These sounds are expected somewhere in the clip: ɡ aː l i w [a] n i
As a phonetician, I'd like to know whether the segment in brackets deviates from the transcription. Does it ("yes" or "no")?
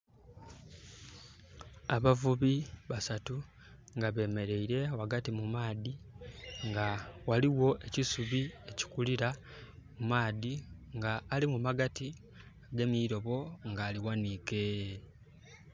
no